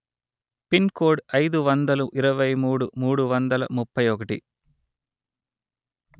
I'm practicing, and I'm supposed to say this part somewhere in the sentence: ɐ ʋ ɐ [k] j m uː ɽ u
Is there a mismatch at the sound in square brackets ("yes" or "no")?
yes